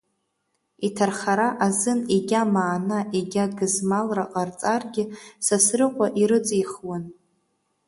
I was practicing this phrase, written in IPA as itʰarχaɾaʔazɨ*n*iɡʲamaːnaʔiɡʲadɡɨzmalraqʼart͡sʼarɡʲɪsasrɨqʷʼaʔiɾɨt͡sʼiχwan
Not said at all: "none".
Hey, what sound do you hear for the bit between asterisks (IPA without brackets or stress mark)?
n